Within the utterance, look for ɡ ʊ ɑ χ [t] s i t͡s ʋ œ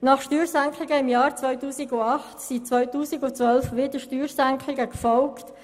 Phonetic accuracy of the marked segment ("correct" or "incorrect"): correct